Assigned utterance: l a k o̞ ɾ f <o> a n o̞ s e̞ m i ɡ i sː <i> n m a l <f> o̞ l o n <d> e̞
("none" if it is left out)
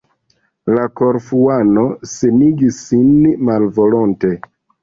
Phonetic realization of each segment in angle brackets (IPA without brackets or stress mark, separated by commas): u, i, v, t